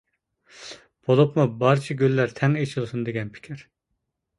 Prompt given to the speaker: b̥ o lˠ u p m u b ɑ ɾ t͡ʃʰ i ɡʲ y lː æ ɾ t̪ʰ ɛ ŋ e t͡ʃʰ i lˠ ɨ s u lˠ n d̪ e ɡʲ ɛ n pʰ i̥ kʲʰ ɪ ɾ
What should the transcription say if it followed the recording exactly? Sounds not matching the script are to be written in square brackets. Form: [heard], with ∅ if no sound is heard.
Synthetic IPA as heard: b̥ o lˠ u p m u b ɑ ɾ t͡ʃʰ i ɡʲ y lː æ ɾ t̪ʰ ɛ ŋ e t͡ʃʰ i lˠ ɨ s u [∅] n d̪ e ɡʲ ɛ n pʰ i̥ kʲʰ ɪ ɾ